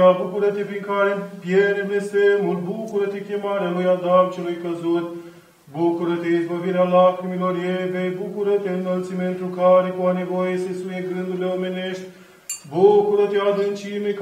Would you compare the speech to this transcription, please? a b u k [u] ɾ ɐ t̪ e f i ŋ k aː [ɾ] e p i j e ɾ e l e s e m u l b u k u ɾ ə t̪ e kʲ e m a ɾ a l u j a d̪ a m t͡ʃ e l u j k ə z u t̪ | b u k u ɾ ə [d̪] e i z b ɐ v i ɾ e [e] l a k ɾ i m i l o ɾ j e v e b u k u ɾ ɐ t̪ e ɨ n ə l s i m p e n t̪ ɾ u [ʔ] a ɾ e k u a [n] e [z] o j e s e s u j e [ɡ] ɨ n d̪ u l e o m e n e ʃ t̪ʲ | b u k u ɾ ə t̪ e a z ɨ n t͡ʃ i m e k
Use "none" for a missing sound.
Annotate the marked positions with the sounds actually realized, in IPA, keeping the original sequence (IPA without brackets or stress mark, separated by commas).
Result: u, ɾ, t̪, a, k, n, v, ɡ